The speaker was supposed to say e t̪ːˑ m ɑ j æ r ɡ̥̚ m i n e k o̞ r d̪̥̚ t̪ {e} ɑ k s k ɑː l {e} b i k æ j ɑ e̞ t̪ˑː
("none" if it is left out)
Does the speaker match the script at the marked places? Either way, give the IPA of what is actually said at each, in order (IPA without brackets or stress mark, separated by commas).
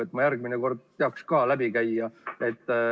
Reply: e, æ